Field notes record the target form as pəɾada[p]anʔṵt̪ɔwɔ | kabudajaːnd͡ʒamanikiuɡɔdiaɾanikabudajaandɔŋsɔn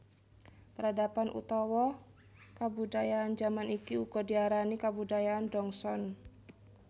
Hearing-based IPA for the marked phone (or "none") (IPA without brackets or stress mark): p